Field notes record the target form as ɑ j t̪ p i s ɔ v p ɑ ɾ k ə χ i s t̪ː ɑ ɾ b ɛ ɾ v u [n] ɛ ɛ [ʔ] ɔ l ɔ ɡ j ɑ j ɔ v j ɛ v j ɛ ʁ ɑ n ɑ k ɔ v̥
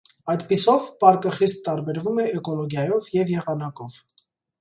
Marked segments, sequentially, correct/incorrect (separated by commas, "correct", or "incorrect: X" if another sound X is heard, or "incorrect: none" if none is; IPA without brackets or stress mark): incorrect: m, incorrect: k